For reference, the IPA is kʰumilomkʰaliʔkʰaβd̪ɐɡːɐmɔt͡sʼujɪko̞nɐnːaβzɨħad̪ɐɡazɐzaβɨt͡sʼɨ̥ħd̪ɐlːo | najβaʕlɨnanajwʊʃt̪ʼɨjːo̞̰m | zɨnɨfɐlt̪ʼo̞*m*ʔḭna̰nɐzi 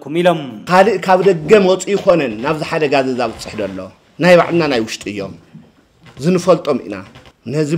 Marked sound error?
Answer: no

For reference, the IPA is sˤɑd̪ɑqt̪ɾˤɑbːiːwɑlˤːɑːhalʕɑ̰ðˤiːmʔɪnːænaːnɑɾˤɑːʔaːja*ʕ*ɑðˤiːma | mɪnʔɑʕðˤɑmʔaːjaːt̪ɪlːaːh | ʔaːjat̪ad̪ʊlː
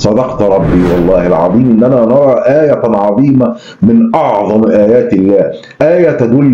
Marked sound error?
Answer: no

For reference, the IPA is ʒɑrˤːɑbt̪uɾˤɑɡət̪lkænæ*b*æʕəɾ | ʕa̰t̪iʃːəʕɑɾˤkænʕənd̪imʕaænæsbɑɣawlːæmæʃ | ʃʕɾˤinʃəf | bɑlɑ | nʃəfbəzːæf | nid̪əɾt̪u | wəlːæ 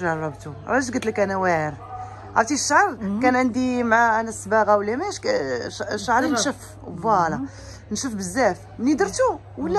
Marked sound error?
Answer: yes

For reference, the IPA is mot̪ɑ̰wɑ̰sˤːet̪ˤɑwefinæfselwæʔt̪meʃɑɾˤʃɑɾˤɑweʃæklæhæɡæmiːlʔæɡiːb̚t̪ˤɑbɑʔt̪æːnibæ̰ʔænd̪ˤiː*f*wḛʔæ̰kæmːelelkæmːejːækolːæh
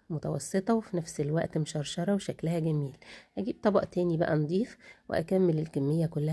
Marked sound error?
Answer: no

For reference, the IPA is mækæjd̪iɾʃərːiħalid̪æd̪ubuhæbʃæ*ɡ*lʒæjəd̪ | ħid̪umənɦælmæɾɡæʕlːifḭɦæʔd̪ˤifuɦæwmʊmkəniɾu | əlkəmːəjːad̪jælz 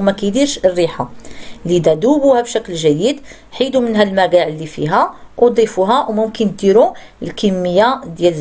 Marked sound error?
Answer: yes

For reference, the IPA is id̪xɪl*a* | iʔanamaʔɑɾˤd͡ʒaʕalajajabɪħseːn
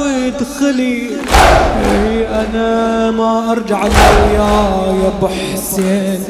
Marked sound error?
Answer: yes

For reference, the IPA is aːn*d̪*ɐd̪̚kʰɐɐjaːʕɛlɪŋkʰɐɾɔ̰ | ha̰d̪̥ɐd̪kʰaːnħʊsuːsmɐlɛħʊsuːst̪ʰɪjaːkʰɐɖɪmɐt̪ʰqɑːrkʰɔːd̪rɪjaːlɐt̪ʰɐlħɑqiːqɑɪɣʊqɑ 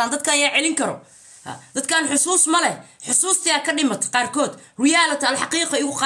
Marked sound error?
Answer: no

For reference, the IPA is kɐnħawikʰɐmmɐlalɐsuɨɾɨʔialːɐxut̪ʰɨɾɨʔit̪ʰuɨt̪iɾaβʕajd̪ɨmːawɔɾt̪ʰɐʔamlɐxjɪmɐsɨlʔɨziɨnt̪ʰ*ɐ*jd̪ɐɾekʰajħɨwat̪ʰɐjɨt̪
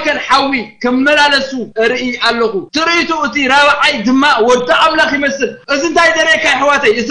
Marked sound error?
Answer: yes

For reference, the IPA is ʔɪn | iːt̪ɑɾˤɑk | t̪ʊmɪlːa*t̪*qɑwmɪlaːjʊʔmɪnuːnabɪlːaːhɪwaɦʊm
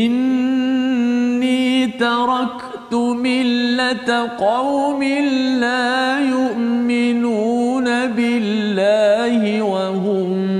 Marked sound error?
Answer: no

